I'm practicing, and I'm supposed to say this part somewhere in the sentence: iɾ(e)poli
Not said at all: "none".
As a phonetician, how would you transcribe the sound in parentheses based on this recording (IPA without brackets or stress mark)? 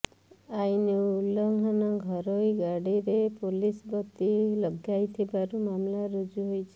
e